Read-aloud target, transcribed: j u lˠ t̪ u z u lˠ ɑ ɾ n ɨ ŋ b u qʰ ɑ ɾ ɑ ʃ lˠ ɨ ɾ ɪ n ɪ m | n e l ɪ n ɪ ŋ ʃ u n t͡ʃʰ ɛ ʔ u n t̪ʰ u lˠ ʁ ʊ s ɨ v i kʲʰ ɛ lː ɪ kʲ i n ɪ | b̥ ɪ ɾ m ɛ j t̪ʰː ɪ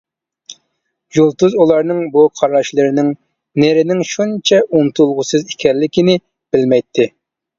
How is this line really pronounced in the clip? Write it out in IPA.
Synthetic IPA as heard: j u lˠ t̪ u z u lˠ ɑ ɾ n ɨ ŋ b u qʰ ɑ ɾ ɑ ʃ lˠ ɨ ɾ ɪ n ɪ ŋ | n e ɾ ɪ n ɪ ŋ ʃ u n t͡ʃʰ ɛ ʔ u n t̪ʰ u lˠ ʁ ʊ s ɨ z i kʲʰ ɛ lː ɪ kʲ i n ɪ | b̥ ɪ l m ɛ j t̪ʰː ɪ